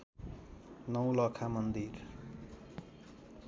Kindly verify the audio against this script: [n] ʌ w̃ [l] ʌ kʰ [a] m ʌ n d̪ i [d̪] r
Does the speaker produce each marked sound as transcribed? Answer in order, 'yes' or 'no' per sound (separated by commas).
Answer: yes, yes, yes, no